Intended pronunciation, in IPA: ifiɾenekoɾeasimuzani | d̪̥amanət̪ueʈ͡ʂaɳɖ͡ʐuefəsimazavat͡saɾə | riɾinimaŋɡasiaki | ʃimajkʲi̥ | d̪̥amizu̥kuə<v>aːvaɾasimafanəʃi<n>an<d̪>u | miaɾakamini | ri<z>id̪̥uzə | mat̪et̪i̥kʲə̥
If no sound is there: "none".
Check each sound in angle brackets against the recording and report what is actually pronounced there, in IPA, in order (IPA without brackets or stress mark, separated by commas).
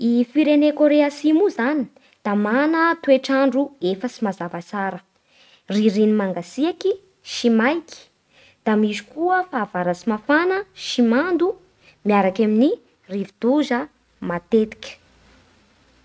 f, m, d̪, v